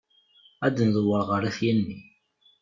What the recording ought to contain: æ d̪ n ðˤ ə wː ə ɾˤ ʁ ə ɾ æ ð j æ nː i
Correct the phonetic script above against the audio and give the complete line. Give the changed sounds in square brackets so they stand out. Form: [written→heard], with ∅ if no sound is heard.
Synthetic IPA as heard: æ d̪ n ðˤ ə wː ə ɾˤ ʁ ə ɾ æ [ð→θ] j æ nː i